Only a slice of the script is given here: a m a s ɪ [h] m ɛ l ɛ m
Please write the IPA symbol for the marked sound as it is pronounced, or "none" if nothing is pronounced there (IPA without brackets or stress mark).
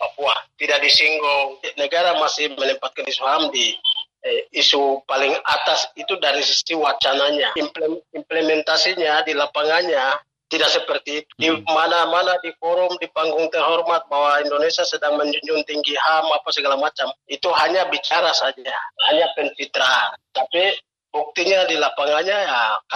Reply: h